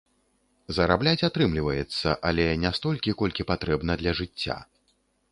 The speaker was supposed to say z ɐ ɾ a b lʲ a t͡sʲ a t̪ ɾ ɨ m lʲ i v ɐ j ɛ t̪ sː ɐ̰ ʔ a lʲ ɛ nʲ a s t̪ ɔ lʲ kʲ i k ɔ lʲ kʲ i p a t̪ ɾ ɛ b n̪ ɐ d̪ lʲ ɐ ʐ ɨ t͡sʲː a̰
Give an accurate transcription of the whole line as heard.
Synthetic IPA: z ɐ ɾ a b lʲ a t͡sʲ a t̪ ɾ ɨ m lʲ i v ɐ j ɛ t̪ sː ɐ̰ ʔ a lʲ ɛ nʲ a s t̪ ɔ lʲ kʲ i k ɔ lʲ kʲ i p a t̪ ɾ ɛ b n̪ ɐ d̪ lʲ ɐ ʐ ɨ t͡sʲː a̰